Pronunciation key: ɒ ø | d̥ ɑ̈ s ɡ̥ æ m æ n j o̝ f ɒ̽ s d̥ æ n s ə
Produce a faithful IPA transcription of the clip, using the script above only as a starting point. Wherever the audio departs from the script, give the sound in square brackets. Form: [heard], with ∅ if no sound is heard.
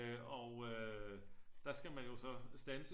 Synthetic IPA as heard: ɒ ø | d̥ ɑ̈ s ɡ̥ æ m æ n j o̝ [s] ɒ̽ s d̥ æ n s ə